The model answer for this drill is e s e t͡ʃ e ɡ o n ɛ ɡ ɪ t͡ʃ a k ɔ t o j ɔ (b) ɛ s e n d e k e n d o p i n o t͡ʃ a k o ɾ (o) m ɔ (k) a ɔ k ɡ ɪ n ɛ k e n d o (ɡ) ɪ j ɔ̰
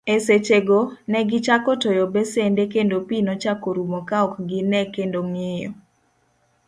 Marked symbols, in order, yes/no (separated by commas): yes, no, yes, no